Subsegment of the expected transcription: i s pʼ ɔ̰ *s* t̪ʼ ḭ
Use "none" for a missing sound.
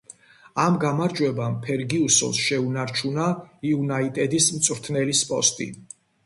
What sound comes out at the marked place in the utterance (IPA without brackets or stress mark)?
s